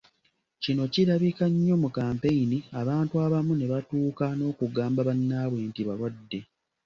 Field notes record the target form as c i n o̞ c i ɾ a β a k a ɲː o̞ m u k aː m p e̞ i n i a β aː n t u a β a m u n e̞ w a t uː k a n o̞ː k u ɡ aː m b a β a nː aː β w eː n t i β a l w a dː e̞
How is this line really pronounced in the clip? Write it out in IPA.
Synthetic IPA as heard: c i n o̞ c i ɾ a β i k a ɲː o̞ m u k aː m p e̞ i n i a β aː n t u a β a m u n e̞ β a t uː k a n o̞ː k u ɡ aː m b a β a nː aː β w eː n t i β a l w a dː e̞